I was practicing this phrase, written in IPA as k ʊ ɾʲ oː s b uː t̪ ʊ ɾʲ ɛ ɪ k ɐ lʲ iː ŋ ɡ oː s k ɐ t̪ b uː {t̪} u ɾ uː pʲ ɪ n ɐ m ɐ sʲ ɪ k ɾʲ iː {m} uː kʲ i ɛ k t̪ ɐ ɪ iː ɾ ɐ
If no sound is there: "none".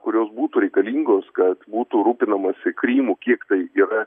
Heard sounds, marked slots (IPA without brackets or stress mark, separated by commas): t̪, m